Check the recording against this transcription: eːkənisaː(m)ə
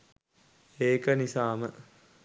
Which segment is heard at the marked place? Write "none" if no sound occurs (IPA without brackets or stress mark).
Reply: m